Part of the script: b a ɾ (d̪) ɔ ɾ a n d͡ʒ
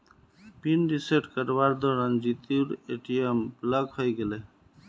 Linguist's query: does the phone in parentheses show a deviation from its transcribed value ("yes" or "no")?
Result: no